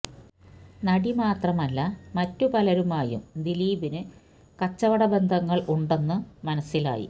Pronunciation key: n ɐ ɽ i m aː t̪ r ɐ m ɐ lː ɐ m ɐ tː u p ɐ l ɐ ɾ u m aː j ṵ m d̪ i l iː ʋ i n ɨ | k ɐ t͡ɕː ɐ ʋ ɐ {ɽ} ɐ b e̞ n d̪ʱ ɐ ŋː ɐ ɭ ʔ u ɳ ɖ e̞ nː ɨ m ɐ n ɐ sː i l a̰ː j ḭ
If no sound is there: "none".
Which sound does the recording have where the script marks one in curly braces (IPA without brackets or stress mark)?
ɽ